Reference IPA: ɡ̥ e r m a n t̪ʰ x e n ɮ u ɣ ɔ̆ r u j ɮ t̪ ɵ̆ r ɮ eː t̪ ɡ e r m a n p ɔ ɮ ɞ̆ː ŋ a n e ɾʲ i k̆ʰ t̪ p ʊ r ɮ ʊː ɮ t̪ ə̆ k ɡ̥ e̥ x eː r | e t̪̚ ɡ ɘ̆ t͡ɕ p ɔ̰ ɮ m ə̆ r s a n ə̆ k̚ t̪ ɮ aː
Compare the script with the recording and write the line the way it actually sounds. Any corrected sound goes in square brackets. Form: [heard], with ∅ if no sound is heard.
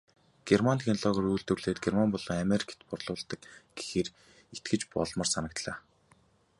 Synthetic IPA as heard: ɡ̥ e r m a n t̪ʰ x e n ɮ [ɔ] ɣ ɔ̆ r u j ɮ t̪ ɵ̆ r ɮ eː t̪ ɡ e r m a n p ɔ ɮ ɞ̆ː ŋ a [m] e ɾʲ i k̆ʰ t̪ p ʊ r ɮ ʊː ɮ t̪ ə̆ k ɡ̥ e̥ x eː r | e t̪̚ ɡ ɘ̆ t͡ɕ p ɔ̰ ɮ m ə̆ r s a n ə̆ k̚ t̪ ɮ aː

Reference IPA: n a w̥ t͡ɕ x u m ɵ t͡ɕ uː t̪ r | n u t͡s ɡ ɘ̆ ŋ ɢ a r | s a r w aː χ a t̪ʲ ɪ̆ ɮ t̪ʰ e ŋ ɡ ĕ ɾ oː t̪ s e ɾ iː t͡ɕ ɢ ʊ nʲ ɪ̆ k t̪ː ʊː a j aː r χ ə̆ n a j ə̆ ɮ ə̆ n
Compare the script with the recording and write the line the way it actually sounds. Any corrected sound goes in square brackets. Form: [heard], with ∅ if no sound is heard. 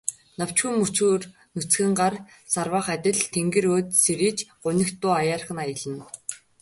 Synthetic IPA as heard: n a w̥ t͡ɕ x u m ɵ t͡ɕ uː [∅] r | n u t͡s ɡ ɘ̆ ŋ ɢ a r | s a r w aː χ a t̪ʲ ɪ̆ ɮ t̪ʰ e ŋ ɡ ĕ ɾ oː t̪ s e ɾ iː t͡ɕ ɢ ʊ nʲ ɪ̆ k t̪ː ʊː a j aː r χ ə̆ n a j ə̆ ɮ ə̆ n

